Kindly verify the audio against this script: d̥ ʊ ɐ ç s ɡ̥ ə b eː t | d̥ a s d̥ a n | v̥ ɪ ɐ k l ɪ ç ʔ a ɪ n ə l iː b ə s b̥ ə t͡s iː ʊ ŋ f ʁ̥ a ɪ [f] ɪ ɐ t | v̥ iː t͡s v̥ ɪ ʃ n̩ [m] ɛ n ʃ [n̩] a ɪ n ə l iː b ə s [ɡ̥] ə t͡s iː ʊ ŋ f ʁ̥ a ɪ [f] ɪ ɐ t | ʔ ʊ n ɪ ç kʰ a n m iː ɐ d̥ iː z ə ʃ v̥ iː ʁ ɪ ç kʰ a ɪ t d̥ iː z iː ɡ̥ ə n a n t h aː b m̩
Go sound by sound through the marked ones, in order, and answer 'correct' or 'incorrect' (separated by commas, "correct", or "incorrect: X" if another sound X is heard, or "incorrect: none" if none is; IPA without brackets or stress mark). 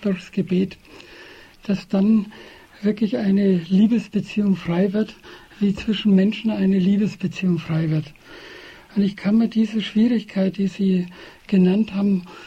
incorrect: v, correct, correct, incorrect: b̥, incorrect: v